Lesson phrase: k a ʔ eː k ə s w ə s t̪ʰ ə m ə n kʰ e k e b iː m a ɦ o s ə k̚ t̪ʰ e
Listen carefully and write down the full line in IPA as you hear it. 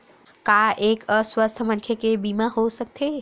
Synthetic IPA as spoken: k a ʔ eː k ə s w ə s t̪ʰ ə m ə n kʰ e k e b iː m a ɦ o s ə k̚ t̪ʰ e